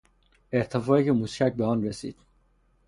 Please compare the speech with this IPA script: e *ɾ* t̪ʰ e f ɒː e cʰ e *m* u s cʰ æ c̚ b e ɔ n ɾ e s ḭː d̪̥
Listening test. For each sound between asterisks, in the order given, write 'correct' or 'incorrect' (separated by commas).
correct, correct